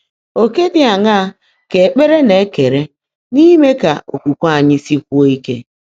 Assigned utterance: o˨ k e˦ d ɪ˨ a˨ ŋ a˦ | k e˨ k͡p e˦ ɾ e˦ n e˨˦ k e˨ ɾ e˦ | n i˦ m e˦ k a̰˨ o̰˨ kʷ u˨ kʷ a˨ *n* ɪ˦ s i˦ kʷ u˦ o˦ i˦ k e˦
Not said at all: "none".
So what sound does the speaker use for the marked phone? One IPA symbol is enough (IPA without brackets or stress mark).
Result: ɲ